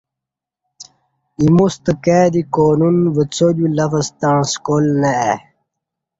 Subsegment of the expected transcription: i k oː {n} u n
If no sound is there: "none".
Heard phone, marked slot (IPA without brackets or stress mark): n